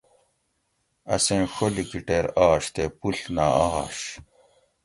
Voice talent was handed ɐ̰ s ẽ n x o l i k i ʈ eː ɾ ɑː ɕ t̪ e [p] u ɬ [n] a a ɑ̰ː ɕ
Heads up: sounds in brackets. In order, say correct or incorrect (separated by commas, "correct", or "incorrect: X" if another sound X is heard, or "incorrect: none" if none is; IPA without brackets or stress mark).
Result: correct, correct